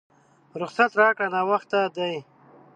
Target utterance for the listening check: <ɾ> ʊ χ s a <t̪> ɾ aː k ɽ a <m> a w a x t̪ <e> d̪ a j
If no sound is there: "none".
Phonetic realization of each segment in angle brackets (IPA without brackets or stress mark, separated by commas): ɾ, t̪, n, a